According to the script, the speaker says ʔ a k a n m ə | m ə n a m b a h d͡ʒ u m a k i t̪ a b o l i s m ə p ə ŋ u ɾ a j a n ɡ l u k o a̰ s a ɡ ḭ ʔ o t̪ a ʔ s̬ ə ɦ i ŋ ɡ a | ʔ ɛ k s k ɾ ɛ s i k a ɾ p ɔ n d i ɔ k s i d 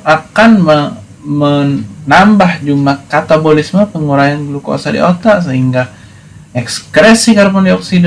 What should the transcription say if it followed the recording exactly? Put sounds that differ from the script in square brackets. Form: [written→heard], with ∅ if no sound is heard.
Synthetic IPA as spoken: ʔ a k a n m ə | m ə n a m b a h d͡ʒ u m a k [i→a] t̪ a b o l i s m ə p ə ŋ u ɾ a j a n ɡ l u k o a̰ s a [ɡ→d] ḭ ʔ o t̪ a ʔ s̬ ə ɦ i ŋ ɡ a | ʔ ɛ k s k ɾ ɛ s i k a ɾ p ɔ n d i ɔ k s i d